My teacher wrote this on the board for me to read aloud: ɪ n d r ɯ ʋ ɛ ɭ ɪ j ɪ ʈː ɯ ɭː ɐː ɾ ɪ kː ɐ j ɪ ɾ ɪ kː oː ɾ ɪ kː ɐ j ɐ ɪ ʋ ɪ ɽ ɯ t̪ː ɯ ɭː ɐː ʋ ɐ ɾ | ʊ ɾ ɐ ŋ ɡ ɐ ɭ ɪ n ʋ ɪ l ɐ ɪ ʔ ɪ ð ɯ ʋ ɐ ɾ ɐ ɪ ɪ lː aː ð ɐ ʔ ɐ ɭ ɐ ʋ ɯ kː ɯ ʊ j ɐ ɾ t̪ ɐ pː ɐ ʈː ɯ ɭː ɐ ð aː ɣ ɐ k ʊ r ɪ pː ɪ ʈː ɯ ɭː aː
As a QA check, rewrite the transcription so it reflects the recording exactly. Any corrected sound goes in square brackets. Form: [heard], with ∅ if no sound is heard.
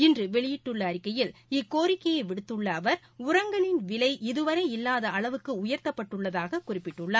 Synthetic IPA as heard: ɪ n d r ɯ ʋ ɛ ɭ ɪ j ɪ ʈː ɯ ɭː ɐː ɾ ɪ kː ɐ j ɪ [l] ɪ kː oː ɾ ɪ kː ɐ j ɐ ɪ ʋ ɪ ɽ ɯ t̪ː ɯ ɭː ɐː ʋ ɐ ɾ | ʊ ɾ ɐ ŋ ɡ ɐ ɭ ɪ n ʋ ɪ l ɐ ɪ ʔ ɪ ð ɯ ʋ ɐ ɾ ɐ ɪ ɪ lː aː ð ɐ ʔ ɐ ɭ ɐ ʋ ɯ kː ɯ ʊ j ɐ ɾ t̪ ɐ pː ɐ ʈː ɯ ɭː ɐ ð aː ɣ ɐ k ʊ r ɪ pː ɪ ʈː ɯ ɭː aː